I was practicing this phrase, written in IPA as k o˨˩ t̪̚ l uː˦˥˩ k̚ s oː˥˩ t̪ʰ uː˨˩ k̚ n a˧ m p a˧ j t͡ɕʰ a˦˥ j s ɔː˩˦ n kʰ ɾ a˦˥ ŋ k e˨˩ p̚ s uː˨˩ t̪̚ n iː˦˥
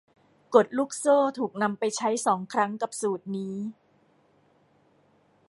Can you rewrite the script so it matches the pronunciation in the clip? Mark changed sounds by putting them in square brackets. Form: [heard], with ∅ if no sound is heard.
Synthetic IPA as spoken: k o˨˩ t̪̚ l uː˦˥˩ k̚ s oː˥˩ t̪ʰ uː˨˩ k̚ n a˧ m p a˧ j t͡ɕʰ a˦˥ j s ɔː˩˦ [ŋ] kʰ ɾ a˦˥ ŋ k [a˨˩] p̚ s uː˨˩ t̪̚ n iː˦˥

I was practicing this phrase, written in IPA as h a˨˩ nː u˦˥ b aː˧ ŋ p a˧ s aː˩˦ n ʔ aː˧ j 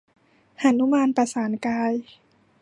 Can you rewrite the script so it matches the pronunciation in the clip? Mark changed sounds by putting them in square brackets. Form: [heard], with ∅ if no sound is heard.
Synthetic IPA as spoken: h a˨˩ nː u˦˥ [m] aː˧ [n] p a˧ s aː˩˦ n [k] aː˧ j

